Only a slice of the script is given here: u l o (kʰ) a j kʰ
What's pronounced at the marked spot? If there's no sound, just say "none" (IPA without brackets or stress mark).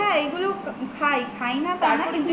kʰ